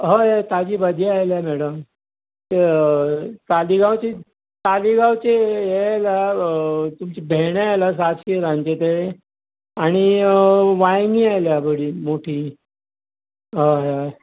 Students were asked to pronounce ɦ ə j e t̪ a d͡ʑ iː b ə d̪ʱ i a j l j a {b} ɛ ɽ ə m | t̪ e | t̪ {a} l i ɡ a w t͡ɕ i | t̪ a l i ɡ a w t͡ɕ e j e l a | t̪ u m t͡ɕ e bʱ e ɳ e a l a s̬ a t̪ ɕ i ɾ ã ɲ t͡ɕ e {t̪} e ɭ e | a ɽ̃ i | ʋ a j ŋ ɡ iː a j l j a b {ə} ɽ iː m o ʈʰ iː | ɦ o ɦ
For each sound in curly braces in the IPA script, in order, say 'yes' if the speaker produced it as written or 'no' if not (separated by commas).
no, yes, yes, yes